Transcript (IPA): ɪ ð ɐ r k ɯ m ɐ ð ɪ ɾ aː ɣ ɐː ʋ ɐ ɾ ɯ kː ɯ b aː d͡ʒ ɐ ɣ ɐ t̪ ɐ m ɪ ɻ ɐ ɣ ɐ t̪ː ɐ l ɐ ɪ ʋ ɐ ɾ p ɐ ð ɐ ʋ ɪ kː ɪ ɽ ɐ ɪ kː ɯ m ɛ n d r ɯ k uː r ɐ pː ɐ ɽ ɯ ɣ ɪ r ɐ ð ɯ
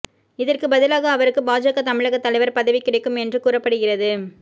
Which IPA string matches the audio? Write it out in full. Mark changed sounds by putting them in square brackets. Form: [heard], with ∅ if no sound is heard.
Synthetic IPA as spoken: ɪ ð ɐ r k ɯ [b] ɐ ð ɪ [l] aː ɣ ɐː ʋ ɐ ɾ ɯ kː ɯ b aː d͡ʒ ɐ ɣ ɐ t̪ ɐ m ɪ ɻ ɐ ɣ ɐ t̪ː ɐ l ɐ ɪ ʋ ɐ ɾ p ɐ ð ɐ ʋ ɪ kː ɪ ɽ ɐ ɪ kː ɯ m ɛ n d r ɯ k uː r ɐ pː ɐ ɽ ɯ ɣ ɪ r ɐ ð ɯ